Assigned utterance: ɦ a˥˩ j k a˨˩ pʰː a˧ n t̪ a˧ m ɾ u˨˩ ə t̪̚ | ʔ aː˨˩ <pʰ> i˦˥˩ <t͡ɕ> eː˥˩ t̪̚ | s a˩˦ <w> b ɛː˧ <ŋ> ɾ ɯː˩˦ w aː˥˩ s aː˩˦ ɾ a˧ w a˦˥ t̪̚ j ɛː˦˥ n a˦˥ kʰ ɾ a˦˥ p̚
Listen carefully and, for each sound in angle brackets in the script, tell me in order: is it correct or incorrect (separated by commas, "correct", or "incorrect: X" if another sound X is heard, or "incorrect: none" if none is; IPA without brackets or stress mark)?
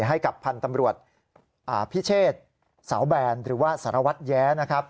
correct, incorrect: t͡ɕʰ, correct, incorrect: n